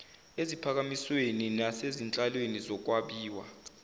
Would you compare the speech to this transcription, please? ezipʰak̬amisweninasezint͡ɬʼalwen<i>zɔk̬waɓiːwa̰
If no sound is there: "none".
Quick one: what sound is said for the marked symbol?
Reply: i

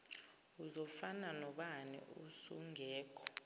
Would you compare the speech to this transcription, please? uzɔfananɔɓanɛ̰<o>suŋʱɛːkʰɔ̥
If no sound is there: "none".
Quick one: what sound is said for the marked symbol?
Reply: u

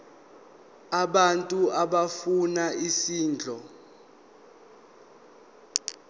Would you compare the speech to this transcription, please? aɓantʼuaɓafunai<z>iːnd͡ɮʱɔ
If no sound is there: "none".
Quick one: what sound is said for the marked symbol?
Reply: s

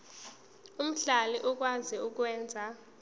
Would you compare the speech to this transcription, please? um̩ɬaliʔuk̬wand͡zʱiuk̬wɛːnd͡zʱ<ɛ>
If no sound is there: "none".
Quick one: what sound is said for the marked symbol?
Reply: a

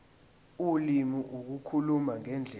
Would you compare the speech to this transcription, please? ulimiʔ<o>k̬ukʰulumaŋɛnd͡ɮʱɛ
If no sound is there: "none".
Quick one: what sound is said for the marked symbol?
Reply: u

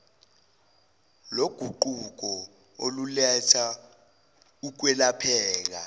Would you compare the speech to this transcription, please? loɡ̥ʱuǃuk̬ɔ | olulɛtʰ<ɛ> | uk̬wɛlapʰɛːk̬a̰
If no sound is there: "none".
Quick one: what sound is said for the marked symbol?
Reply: a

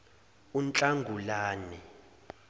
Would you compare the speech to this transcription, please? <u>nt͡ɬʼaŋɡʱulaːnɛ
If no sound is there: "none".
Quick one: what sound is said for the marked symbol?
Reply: u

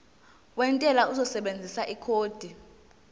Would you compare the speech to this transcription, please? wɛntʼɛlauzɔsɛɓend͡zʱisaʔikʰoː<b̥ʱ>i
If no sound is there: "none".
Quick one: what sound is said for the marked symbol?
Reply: d̥ʱ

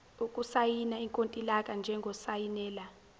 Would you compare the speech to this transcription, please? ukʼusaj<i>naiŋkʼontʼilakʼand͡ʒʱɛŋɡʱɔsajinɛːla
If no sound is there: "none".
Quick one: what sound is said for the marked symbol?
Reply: i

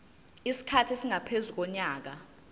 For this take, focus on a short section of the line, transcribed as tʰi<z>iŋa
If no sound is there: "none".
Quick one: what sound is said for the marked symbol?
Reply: s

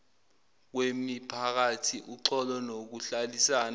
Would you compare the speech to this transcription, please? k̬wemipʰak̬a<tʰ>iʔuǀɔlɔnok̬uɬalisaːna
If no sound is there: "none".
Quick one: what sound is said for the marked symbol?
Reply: tʰ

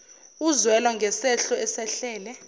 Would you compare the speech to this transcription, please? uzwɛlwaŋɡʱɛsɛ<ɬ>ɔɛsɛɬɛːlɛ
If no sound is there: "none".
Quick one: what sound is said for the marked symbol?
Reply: ɬ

